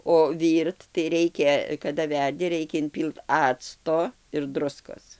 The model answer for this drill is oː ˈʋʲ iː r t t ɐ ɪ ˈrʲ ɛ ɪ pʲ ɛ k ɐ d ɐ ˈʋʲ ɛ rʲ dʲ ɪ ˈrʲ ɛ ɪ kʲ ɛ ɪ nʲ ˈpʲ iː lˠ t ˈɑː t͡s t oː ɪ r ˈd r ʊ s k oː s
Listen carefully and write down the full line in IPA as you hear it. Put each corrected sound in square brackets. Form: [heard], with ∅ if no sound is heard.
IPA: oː ˈʋʲ iː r t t ɐ ɪ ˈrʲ ɛ ɪ [kʲ] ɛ k ɐ d ɐ ˈʋʲ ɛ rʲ dʲ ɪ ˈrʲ ɛ ɪ kʲ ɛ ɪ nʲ ˈpʲ iː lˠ t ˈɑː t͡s t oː ɪ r ˈd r ʊ s k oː s